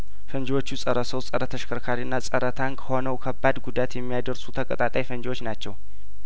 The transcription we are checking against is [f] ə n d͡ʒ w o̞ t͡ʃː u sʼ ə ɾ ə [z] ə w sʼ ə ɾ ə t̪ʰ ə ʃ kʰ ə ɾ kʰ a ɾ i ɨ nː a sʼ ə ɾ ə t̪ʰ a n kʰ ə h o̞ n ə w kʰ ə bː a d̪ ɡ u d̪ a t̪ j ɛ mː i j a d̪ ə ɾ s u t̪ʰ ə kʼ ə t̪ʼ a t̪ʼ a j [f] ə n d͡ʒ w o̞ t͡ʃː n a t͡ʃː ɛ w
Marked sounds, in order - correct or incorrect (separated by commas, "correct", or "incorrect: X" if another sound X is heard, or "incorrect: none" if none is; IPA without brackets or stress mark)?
correct, incorrect: s, correct